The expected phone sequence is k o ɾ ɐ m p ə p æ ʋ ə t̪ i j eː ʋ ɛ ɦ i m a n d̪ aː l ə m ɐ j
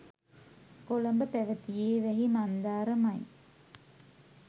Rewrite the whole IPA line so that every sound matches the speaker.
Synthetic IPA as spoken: k o l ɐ m b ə p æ ʋ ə t̪ i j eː ʋ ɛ ɦ i m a n d̪ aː ɾ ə m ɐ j